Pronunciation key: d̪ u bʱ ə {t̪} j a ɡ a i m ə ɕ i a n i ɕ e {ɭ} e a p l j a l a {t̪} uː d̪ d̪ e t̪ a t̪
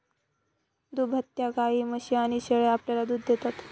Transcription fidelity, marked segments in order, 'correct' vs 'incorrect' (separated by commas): correct, correct, incorrect